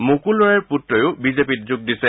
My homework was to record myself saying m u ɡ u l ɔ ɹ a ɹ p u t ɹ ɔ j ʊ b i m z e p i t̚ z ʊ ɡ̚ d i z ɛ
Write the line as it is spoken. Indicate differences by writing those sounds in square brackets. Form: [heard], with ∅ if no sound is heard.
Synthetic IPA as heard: m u [k] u l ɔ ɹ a ɹ p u t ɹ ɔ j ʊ b i [∅] z e p i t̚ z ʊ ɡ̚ d i [s] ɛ